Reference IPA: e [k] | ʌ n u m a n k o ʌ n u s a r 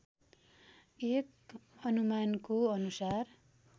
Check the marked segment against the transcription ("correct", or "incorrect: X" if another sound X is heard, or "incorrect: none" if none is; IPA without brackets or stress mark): correct